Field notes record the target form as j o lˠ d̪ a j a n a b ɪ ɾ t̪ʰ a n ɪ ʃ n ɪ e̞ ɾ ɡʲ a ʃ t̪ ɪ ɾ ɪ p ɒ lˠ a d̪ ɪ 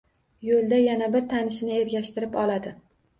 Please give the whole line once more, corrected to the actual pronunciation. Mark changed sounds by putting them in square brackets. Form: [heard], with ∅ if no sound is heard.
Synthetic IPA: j o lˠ d̪ a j a n a b ɪ ɾ t̪ʰ a n ɪ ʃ n ɪ e̞ ɾ ɡʲ a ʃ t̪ ɪ ɾ ɪ p ɒ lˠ a d̪ ɪ